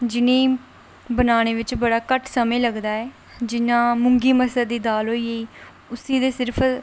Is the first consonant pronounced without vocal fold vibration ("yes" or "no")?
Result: no